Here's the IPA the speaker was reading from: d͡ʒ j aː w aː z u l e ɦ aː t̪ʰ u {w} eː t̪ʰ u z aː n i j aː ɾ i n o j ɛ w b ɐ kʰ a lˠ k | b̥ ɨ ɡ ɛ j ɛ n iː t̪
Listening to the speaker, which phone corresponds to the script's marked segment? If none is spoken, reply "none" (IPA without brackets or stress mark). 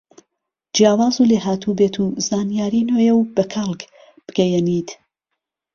b